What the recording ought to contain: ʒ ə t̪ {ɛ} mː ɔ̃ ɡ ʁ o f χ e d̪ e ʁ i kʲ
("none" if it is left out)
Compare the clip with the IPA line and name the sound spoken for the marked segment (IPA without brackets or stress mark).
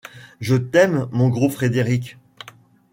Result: ɛ